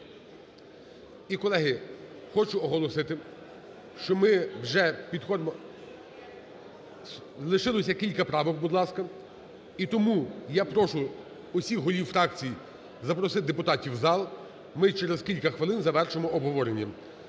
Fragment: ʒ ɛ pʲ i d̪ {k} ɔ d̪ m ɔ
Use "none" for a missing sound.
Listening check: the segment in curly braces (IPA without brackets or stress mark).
x